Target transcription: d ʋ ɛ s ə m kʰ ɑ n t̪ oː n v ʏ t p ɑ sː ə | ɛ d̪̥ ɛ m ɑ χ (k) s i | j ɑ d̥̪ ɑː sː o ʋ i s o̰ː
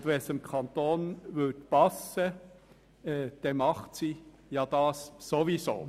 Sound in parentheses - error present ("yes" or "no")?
yes